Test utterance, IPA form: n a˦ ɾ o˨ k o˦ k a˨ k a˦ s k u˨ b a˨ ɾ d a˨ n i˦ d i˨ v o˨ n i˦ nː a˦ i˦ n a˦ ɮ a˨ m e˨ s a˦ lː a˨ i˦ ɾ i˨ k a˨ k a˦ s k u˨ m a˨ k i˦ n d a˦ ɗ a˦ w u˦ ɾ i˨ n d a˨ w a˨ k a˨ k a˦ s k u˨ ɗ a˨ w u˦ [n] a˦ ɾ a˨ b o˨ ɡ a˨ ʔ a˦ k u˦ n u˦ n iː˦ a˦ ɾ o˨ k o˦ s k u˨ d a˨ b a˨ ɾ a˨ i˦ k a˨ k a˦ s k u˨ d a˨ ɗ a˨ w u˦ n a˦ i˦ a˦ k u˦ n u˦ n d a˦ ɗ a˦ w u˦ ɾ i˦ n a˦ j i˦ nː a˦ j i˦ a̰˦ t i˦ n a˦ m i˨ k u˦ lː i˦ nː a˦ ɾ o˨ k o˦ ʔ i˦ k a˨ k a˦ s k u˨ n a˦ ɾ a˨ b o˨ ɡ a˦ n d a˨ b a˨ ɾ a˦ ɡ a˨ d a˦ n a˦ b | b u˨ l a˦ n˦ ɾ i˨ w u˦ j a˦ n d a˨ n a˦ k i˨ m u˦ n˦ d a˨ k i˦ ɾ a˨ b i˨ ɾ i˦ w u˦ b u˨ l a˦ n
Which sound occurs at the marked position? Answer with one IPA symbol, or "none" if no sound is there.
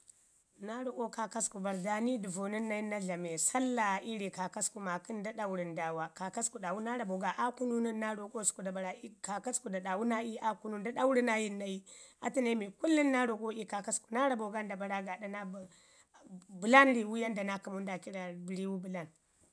n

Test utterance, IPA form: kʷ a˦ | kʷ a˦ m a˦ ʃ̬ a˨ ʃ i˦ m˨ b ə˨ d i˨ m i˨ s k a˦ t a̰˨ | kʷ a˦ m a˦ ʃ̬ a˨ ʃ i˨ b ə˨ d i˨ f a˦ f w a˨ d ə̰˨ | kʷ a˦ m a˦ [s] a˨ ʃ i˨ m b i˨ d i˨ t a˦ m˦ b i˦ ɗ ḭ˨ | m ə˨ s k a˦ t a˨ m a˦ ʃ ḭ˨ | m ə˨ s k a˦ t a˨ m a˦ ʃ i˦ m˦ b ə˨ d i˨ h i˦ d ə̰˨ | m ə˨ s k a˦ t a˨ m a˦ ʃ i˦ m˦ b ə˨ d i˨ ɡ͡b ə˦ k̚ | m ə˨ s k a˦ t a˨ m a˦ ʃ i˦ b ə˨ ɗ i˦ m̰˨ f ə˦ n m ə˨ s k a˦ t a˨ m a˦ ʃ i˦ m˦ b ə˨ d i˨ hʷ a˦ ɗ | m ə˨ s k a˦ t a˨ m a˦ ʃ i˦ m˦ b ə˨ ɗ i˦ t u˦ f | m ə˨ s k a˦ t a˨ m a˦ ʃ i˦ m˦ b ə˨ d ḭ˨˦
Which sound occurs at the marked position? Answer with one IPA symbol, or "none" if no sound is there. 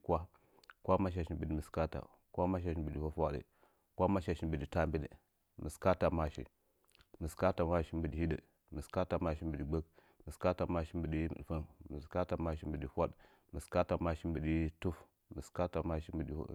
ʃ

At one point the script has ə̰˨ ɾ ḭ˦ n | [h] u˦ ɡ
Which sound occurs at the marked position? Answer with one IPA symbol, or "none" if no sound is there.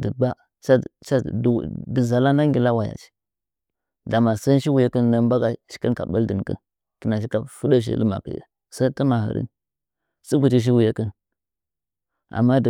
s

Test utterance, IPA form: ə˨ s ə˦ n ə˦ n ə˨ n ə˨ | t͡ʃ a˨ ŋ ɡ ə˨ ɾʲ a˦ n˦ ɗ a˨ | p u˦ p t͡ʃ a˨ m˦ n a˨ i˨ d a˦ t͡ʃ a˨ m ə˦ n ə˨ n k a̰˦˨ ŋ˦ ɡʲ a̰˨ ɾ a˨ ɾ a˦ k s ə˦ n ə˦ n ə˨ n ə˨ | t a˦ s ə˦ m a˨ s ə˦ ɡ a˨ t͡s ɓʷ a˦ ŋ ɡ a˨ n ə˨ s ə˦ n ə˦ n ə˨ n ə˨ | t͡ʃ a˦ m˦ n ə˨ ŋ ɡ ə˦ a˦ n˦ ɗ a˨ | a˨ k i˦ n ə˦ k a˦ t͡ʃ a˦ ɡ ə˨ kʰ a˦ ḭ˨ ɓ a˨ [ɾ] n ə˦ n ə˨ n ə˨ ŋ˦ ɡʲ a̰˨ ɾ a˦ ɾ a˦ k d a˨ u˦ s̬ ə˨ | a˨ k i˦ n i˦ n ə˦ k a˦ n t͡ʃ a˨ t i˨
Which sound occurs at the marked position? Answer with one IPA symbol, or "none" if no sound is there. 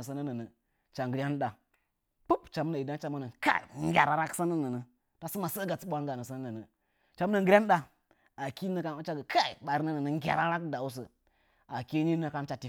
ɾ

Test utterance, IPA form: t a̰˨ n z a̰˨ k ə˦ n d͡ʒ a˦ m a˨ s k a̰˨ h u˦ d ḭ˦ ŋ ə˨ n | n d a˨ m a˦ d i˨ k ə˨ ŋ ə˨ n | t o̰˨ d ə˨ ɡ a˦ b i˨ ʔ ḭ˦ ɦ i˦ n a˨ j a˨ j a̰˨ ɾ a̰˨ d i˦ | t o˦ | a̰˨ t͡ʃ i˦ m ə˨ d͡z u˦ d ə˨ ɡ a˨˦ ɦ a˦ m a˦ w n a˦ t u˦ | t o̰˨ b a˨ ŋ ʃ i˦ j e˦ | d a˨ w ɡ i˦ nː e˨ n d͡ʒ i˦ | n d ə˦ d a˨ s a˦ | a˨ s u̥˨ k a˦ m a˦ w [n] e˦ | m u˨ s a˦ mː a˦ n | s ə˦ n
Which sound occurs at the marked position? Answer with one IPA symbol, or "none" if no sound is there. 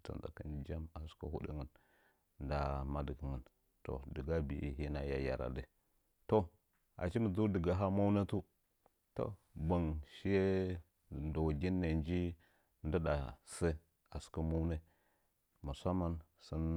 n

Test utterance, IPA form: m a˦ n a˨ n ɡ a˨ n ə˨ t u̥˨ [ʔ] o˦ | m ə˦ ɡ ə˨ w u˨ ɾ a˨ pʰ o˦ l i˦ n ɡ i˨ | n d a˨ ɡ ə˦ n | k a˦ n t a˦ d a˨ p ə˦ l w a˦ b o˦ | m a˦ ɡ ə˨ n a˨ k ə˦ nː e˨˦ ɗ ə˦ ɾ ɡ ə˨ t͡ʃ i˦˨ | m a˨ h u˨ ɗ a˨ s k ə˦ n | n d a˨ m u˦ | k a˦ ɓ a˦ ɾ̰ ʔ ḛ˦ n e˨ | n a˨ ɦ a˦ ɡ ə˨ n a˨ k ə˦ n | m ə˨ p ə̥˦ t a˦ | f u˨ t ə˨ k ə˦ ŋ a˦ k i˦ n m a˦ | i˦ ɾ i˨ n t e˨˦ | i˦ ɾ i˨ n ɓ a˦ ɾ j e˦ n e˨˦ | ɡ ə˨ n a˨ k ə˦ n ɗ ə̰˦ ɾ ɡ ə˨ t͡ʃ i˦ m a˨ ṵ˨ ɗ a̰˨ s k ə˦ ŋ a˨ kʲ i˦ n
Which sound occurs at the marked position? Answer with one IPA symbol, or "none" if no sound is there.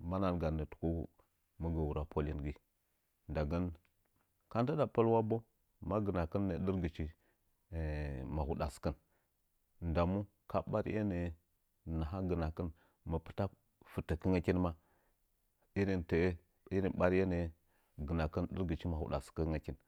k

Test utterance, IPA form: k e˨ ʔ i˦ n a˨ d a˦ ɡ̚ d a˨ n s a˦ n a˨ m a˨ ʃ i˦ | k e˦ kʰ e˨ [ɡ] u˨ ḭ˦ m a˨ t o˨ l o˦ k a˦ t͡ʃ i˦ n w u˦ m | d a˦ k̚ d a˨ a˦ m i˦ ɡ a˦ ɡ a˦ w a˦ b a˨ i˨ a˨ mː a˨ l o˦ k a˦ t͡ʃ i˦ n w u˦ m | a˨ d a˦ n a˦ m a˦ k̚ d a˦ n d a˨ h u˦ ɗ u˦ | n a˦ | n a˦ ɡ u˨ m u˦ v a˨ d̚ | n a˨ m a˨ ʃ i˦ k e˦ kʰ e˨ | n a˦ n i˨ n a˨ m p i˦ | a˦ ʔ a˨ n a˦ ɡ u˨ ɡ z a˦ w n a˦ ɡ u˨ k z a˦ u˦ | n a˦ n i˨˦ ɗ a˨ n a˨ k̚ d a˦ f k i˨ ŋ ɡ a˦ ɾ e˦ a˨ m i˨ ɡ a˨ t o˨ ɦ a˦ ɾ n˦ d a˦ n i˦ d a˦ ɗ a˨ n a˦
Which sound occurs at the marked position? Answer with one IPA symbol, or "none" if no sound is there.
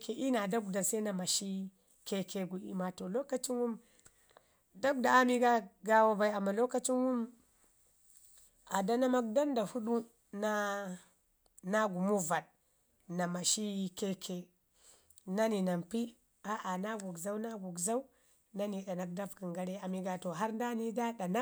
ɡ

